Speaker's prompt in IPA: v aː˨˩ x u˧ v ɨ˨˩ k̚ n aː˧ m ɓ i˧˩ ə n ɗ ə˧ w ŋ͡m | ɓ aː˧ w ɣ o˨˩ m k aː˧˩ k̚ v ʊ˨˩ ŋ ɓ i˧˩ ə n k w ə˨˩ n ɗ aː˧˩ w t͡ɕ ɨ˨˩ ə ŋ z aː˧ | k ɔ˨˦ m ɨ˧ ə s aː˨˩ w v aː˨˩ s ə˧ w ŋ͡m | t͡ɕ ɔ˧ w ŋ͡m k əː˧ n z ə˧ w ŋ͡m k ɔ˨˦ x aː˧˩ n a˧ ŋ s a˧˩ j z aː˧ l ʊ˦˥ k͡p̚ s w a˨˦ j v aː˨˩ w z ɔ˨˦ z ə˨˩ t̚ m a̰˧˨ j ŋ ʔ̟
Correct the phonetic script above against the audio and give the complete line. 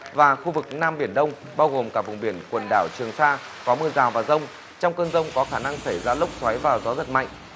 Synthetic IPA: v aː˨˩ x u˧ v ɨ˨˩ k̚ n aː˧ m ɓ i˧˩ ə n ɗ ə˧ w ŋ͡m | ɓ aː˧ w ɣ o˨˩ m k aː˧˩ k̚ v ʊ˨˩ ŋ ɓ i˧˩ ə n k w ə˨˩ n ɗ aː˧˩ w t͡ɕ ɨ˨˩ ə ŋ s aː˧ | k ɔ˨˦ m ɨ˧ ə z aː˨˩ w v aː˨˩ z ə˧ w ŋ͡m | t͡ɕ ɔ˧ w ŋ͡m k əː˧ n z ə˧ w ŋ͡m k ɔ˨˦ x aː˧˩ n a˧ ŋ s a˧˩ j z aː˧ l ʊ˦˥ k͡p̚ s w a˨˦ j v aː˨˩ w z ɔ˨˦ z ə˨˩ t̚ m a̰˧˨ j ŋ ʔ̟